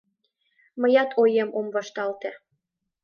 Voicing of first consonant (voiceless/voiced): voiced